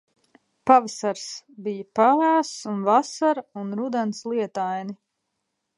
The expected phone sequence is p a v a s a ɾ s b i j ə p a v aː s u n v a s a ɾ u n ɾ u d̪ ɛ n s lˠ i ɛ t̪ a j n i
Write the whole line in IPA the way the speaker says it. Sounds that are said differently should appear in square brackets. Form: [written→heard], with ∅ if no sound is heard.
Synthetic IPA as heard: p a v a s a ɾ s b i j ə p a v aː s u n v a s a ɾ u n ɾ u d̪ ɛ n s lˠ i ɛ t̪ a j n i